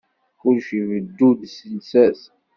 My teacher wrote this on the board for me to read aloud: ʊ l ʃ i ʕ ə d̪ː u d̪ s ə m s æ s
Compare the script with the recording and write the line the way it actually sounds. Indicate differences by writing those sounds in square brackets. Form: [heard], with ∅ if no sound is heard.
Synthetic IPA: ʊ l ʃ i [v] ə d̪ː u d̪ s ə [n] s æ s